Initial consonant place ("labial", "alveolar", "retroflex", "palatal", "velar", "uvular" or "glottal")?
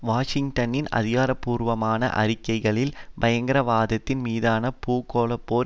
labial